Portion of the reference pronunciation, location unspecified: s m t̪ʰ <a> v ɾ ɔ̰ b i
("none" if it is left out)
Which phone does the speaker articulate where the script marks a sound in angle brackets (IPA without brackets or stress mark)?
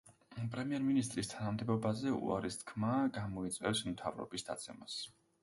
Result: a